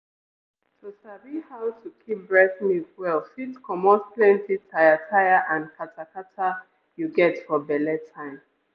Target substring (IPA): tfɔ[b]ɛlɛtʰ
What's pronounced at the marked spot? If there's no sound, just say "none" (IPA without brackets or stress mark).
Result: b